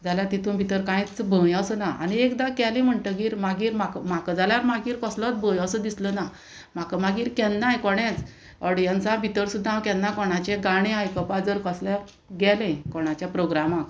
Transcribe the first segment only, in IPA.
d͡z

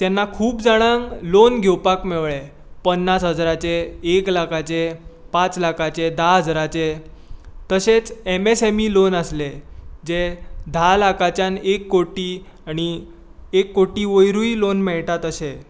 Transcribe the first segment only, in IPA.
t̪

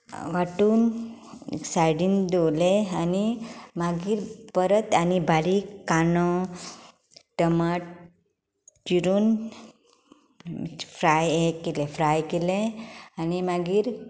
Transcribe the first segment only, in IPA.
ʋ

